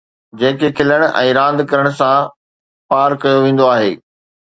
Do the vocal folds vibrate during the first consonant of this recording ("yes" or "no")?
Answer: yes